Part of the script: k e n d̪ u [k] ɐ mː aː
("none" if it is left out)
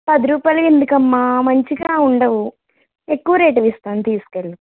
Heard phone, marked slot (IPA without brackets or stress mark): k